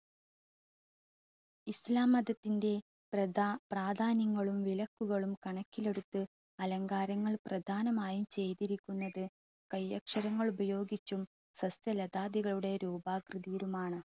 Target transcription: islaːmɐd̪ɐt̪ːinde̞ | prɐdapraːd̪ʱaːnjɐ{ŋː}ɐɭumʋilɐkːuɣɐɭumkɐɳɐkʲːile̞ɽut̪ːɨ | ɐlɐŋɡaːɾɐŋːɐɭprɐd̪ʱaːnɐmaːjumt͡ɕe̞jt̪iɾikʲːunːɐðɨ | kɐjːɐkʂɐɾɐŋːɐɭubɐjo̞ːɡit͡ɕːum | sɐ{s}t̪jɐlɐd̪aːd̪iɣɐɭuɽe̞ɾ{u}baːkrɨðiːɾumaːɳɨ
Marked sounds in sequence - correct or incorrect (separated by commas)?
correct, correct, incorrect